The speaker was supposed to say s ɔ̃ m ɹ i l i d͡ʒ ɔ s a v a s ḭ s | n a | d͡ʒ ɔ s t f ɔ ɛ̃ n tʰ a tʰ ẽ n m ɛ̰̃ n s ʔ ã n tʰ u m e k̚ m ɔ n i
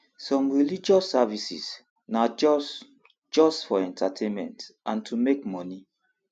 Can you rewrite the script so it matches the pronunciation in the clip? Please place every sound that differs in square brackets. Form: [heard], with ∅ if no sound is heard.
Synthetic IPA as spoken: s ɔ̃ m ɹ i l i d͡ʒ ɔ s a v [i] s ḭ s | n a | d͡ʒ ɔ s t f ɔ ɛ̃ n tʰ a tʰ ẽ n m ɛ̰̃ n [t] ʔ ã n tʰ u m e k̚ m ɔ n i